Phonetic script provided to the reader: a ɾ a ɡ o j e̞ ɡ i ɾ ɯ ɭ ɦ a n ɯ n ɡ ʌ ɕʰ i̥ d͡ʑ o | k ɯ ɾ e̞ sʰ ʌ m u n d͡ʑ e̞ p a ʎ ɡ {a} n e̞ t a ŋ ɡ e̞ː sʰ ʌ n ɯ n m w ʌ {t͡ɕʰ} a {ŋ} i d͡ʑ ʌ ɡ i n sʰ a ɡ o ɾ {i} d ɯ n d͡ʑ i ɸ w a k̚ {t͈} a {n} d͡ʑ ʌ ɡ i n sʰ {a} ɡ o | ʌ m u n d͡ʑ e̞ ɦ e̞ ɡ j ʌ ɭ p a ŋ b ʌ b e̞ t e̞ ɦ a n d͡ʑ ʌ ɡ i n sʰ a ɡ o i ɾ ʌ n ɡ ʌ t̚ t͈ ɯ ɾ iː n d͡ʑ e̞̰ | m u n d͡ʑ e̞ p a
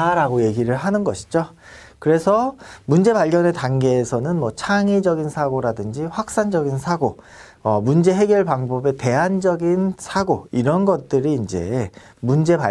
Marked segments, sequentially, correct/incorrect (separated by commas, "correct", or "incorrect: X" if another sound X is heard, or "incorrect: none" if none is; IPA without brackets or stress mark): incorrect: ʌ, correct, correct, incorrect: a, incorrect: s͈, correct, correct